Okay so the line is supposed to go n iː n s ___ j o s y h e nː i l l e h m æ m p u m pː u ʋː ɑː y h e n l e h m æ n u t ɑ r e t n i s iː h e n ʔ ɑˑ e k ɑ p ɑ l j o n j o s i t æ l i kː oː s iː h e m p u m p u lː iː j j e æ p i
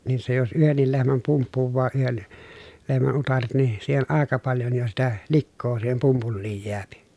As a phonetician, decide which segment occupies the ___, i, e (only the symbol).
e